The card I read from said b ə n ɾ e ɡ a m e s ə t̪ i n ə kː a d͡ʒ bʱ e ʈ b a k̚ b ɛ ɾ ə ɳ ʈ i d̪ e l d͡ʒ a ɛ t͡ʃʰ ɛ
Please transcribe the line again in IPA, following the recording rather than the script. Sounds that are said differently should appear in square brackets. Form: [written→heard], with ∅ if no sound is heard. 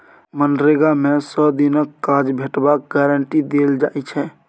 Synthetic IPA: [b→m] ə n ɾ e ɡ a m e s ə [t̪→d̪] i n ə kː a d͡ʒ bʱ e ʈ b a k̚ [b→ɡ] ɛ ɾ ə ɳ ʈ i d̪ e l d͡ʒ a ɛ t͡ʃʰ ɛ